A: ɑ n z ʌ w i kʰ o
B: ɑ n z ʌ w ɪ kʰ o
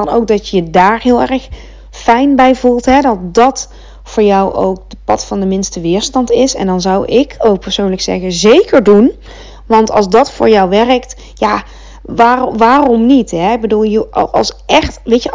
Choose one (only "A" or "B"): B